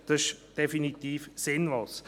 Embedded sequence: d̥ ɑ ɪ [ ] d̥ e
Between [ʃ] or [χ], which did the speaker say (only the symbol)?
ʃ